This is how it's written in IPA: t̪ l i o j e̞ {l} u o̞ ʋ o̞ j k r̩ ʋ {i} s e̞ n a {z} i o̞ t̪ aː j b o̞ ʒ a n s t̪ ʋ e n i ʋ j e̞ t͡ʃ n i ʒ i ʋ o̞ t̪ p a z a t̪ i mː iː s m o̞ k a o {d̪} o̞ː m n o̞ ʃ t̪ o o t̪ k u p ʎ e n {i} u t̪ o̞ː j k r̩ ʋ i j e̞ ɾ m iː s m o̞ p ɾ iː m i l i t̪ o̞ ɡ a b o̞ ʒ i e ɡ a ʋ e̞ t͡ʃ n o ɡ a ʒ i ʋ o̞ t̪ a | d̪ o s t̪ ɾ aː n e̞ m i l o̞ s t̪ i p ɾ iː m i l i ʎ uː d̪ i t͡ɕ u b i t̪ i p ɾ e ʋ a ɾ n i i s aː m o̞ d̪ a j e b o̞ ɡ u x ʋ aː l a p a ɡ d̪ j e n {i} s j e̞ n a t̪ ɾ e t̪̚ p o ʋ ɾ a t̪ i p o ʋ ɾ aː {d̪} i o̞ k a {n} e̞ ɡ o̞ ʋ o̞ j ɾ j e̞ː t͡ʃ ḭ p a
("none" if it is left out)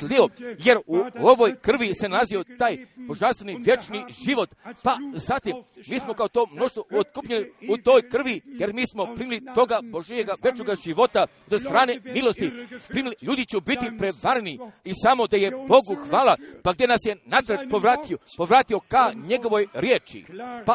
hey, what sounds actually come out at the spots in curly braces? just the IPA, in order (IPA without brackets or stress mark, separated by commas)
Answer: ɾ, i, z, t̪, i, a, t̪, ɲ